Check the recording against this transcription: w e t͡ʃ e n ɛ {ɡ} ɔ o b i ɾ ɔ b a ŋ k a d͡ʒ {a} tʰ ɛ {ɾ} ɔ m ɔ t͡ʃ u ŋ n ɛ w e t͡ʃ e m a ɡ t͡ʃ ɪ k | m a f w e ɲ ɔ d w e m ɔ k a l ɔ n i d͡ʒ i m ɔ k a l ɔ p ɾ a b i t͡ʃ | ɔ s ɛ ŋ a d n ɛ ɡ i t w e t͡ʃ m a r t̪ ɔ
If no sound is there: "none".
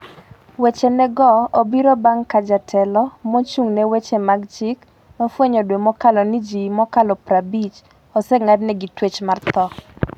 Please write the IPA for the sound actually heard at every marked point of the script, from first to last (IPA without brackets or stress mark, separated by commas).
ɡ, a, l